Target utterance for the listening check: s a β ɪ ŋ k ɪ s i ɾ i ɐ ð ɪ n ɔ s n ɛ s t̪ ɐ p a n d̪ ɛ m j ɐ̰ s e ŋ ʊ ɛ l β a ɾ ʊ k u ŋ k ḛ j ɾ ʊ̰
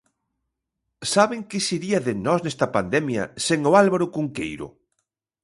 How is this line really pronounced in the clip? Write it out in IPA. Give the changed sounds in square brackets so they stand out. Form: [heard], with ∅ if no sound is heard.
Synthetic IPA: s a β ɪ ŋ k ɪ s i ɾ i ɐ ð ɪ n ɔ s n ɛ s t̪ ɐ p a n d̪ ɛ m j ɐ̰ s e ŋ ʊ [a] l β a ɾ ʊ k u ŋ k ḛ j ɾ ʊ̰